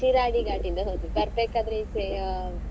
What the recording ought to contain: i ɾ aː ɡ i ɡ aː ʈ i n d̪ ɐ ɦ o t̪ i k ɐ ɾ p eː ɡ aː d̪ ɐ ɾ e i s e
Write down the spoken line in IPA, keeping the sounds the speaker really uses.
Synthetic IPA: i ɾ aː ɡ i ɡ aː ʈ i n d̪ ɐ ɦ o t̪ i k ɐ ɾ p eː k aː d̪ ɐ ɾ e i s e